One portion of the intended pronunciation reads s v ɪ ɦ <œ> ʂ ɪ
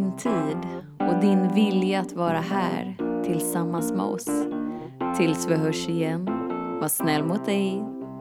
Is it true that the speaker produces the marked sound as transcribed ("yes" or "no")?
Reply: yes